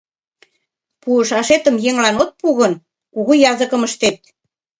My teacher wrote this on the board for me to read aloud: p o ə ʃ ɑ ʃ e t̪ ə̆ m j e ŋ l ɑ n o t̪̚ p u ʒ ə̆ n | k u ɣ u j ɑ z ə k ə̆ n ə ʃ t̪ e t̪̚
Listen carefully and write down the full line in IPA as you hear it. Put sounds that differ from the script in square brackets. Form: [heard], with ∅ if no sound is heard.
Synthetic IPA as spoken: p [u] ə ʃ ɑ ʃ e t̪ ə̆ m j e ŋ l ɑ n o t̪̚ p u [ɣ] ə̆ n | k u ɣ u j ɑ z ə k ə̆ [m] ə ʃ t̪ e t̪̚